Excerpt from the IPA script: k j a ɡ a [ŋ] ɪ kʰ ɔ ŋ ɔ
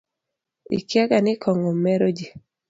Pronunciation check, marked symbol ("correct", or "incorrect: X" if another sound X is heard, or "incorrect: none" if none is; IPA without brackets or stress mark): incorrect: n